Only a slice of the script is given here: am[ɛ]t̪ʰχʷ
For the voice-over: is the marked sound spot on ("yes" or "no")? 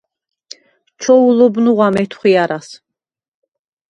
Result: yes